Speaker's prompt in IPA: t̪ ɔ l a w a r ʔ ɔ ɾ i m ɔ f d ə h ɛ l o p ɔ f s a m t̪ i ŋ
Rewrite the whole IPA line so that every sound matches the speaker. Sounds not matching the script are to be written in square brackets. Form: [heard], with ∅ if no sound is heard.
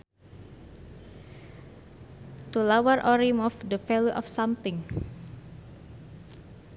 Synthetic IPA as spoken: t̪ [u] l a w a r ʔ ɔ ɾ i m ɔ f d ə [f] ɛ l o [ʔ] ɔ f s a m t̪ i ŋ